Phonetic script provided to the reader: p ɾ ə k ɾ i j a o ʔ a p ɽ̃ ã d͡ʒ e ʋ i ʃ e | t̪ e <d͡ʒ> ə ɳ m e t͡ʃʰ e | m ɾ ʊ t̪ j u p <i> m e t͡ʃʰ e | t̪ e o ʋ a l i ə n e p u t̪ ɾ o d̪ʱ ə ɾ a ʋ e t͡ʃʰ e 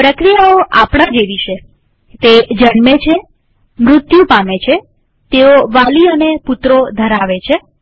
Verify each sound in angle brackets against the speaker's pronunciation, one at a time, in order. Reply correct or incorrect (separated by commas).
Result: correct, incorrect